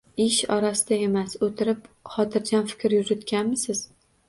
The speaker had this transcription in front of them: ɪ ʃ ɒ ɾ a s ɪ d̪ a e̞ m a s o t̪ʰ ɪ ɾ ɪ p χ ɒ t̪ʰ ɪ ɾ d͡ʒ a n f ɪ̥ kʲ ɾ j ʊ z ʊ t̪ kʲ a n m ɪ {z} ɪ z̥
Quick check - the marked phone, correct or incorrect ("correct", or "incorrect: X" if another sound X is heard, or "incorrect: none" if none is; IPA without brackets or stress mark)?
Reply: incorrect: s